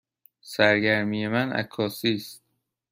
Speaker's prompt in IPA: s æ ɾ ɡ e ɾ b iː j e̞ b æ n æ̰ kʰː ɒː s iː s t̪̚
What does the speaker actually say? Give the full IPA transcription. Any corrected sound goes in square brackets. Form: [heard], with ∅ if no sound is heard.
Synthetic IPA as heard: s æ ɾ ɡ [æ] ɾ [m] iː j e̞ [m] æ n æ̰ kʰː ɒː s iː s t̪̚